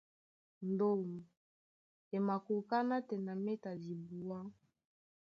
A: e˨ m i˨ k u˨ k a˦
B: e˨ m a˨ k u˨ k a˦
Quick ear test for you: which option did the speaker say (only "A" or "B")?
B